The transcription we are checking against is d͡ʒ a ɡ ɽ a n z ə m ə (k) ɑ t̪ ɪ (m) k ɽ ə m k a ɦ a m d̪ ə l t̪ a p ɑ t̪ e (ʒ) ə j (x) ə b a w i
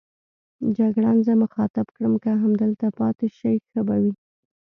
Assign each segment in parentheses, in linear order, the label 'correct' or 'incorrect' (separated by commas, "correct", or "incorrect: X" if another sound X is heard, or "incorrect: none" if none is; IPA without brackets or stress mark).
incorrect: x, incorrect: b, incorrect: ʃ, correct